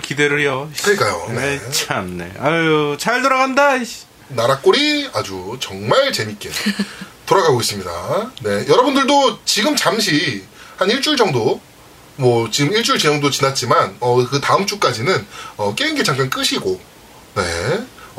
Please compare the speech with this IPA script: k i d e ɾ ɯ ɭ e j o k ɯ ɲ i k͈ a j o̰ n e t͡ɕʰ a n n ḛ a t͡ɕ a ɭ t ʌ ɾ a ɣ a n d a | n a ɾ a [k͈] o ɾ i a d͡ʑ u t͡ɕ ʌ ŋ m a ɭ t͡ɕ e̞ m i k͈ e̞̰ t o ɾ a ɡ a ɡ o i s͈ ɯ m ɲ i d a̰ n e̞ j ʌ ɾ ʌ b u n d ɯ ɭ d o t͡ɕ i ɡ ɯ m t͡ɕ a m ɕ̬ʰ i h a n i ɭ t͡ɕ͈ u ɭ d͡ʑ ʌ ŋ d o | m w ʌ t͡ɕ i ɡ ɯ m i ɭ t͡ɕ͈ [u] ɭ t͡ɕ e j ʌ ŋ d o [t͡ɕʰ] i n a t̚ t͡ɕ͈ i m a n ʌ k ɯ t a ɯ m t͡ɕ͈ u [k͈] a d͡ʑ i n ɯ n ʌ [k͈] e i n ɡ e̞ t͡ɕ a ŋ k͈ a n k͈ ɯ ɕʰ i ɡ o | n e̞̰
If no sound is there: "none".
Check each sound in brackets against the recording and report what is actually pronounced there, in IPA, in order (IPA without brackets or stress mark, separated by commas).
k͈, u, t͡ɕ, k͈, k͈